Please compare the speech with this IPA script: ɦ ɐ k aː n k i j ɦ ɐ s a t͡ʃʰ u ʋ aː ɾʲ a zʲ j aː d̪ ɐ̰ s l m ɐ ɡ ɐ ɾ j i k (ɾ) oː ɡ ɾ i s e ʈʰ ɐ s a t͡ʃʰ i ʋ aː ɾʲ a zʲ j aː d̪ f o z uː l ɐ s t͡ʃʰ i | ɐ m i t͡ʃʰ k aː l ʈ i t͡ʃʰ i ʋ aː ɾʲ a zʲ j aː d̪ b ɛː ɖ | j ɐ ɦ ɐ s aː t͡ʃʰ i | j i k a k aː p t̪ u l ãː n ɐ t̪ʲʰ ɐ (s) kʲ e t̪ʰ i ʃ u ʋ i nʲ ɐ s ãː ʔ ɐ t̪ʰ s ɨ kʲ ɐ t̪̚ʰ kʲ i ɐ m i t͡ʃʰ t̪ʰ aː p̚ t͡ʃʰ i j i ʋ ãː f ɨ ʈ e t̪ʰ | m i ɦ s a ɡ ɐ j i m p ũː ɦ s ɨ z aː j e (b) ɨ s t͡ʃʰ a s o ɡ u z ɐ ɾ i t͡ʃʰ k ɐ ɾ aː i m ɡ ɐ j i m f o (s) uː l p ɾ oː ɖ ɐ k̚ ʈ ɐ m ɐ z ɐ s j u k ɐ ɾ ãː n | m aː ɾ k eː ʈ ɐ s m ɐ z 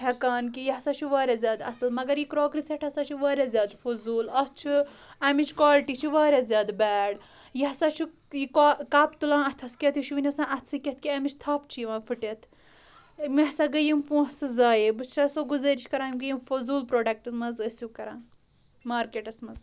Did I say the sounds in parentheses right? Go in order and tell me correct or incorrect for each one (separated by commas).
correct, correct, correct, incorrect